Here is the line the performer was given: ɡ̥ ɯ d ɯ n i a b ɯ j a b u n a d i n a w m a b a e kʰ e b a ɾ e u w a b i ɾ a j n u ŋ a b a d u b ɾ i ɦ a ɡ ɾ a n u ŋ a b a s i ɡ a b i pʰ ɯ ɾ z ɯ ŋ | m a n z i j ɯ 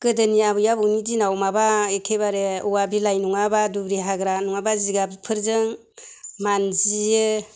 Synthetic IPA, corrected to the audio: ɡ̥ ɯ d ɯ n i a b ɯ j a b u n i d i n a w m a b a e kʰ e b a ɾ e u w a b i l a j n u ŋ a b a d u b ɾ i ɦ a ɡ ɾ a n u ŋ a b a z i ɡ a b i pʰ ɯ ɾ z ɯ ŋ | m a n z i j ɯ